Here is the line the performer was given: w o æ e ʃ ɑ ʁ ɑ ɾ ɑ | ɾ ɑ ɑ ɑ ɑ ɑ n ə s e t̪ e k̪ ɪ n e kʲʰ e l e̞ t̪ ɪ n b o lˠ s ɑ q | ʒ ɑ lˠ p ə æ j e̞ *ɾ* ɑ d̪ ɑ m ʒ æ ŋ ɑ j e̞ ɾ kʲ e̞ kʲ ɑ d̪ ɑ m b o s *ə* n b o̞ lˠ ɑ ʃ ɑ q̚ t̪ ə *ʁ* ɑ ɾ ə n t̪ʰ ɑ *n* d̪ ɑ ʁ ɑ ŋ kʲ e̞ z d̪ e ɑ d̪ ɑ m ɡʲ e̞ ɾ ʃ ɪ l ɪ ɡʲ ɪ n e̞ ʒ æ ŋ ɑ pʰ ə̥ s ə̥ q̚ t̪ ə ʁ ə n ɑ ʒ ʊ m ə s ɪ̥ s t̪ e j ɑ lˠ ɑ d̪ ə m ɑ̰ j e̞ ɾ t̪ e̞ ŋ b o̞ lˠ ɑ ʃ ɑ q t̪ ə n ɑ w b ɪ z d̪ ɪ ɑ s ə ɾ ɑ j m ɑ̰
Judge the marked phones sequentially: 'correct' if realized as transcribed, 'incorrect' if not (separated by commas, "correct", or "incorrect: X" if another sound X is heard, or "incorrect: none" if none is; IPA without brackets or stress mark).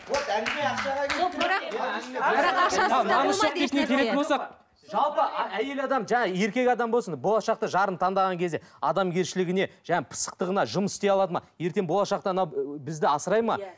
incorrect: l, correct, incorrect: ʒ, correct